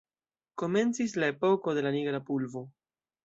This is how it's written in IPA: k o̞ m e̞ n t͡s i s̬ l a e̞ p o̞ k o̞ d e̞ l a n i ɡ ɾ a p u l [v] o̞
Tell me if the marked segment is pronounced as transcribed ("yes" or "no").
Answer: yes